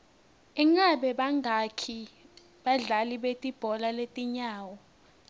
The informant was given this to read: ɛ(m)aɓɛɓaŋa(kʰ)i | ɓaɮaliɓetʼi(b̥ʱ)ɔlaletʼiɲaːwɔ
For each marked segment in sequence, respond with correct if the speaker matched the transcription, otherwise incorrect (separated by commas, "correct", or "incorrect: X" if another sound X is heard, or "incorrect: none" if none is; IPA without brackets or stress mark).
incorrect: ŋ, correct, correct